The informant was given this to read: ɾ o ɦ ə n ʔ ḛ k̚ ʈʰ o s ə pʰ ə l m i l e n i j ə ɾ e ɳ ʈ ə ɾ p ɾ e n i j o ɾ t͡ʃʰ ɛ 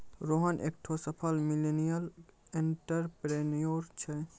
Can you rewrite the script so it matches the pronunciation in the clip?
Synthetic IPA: ɾ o ɦ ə n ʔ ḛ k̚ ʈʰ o s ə pʰ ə l m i l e n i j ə l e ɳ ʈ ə ɾ p ɾ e n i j o ɾ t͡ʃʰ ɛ